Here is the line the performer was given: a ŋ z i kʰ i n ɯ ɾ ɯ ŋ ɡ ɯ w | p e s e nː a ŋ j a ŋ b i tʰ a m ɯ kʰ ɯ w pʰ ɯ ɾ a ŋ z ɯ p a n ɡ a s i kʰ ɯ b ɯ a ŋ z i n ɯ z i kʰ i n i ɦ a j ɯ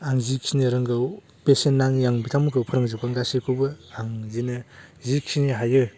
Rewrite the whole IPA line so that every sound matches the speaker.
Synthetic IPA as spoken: a ŋ z i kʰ i n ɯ ɾ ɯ ŋ ɡ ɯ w | p e s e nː a ŋ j a ŋ b i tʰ a m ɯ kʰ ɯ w pʰ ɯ ɾ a ŋ z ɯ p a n ɡ a s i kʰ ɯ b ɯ a ŋ z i n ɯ z i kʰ i n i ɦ a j ɯ